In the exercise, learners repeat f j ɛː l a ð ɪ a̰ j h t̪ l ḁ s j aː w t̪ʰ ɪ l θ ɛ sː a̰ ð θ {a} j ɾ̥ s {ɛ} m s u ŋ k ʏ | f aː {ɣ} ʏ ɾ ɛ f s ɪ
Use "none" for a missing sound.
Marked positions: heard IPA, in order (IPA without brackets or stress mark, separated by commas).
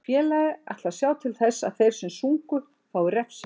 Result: e, ɛ, w